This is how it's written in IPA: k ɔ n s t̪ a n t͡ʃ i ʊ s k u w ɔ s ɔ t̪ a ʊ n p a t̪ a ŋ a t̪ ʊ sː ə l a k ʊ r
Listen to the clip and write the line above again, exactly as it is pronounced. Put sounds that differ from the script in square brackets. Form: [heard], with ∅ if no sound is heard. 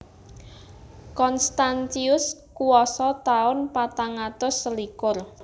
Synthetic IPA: k ɔ n s t̪ a n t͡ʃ i ʊ s k u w ɔ s ɔ t̪ a ʊ n p a t̪ a ŋ a t̪ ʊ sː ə l [i] k ʊ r